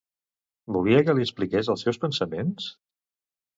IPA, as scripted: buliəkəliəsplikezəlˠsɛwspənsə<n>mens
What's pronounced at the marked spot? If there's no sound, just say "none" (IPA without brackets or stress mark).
none